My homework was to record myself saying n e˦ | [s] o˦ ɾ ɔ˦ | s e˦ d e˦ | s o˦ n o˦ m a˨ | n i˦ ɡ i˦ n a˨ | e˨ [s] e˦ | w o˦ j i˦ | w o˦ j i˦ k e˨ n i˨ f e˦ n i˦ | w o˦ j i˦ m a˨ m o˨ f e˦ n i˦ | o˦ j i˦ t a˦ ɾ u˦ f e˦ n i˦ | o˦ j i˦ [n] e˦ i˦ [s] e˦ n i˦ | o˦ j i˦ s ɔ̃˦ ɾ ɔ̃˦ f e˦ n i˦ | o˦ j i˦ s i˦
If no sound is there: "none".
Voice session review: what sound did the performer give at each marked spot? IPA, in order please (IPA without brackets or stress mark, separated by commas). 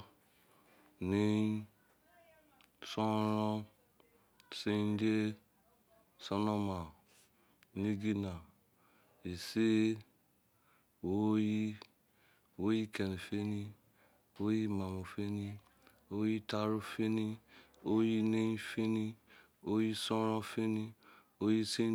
s, s, n, f